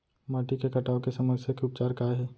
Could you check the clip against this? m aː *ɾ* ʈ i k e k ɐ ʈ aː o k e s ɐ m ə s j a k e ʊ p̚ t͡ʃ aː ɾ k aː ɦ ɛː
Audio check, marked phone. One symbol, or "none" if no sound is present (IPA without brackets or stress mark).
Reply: none